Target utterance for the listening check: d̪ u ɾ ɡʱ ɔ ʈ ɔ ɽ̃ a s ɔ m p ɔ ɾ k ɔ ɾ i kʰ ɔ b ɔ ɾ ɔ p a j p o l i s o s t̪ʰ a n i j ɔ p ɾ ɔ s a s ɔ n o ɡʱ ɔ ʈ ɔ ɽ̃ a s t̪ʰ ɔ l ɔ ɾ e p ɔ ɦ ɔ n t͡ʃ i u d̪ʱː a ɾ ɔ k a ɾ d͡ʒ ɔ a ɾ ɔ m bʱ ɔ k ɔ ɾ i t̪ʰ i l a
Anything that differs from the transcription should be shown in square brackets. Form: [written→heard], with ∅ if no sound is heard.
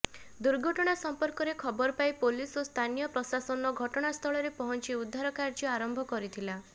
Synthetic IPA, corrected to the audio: d̪ u ɾ ɡʱ ɔ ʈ ɔ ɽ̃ a s ɔ m p ɔ ɾ k ɔ ɾ [i→e] kʰ ɔ b ɔ ɾ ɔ p a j p o l i s o s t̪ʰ a n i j ɔ p ɾ ɔ s a s ɔ n [o→ɔ] ɡʱ ɔ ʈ ɔ ɽ̃ a s t̪ʰ ɔ [l→ɭ] ɔ ɾ e p ɔ ɦ ɔ n t͡ʃ i u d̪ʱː a ɾ ɔ k a ɾ d͡ʒ ɔ a ɾ ɔ m bʱ ɔ k ɔ ɾ i t̪ʰ i l a